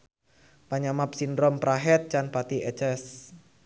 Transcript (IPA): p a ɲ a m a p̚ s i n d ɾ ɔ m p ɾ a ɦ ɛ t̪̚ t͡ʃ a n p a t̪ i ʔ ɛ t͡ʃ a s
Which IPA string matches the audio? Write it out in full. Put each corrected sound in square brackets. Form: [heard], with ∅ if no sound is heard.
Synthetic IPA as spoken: p a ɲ a m a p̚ s i n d ɾ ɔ m p ɾ a ɦ ɛ t̪̚ t͡ʃ a n p a t̪ i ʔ ɛ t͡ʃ [ɛ] s